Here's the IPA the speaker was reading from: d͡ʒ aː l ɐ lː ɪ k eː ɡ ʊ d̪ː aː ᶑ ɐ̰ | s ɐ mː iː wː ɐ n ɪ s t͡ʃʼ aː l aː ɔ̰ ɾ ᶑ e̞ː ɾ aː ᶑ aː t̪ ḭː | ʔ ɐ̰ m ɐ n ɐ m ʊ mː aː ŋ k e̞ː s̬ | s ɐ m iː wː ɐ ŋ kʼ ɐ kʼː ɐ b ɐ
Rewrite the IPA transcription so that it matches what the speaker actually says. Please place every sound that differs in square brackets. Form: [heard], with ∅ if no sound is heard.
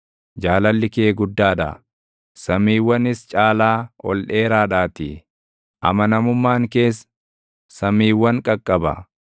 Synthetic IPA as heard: d͡ʒ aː l ɐ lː ɪ k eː ɡ ʊ d̪ː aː ᶑ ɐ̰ | s ɐ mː iː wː ɐ n ɪ s t͡ʃʼ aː l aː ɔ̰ [l] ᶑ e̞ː ɾ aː ᶑ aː t̪ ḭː | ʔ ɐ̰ m ɐ n ɐ m ʊ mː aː ŋ k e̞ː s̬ | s ɐ m iː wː ɐ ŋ kʼ ɐ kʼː ɐ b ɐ